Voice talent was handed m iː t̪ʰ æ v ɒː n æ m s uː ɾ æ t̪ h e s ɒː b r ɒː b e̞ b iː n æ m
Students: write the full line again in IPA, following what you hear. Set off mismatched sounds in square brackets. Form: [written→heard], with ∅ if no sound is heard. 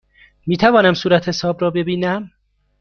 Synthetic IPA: m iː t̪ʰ æ v ɒː n æ m s uː ɾ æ t̪ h e s ɒː b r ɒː b e̞ b iː n æ m